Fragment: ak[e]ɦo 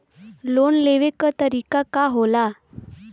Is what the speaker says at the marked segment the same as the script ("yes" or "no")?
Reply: no